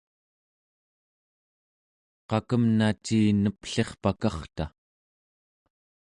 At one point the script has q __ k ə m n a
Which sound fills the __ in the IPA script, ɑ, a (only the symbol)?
ɑ